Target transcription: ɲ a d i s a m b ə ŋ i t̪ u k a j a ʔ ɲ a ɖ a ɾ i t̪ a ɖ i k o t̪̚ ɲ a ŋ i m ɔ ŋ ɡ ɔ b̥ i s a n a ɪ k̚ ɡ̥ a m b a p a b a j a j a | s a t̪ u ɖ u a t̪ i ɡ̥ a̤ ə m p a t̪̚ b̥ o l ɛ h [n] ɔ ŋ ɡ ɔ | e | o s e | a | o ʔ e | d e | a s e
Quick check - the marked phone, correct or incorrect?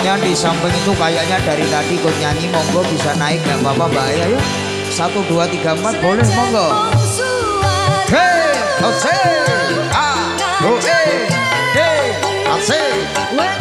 incorrect